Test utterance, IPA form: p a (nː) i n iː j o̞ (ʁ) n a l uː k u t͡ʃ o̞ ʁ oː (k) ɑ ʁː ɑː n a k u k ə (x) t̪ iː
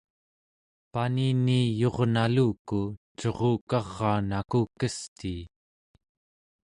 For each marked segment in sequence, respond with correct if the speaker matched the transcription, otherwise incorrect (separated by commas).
incorrect, correct, correct, incorrect